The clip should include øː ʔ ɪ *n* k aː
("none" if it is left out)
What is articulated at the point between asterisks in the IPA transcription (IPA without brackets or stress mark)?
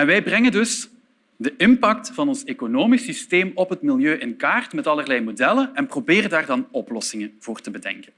n